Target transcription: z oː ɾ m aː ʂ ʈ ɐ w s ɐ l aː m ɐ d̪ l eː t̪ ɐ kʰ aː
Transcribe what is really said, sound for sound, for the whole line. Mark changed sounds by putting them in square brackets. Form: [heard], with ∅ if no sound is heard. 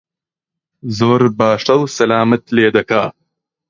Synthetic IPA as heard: z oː ɾ [b] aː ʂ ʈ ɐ w s ɐ l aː m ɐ [t̪] l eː [d̪] ɐ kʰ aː